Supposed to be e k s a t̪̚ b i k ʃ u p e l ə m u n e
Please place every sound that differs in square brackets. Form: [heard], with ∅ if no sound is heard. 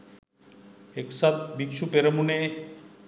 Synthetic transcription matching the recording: e k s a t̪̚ b i k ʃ u p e [ɾ] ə m u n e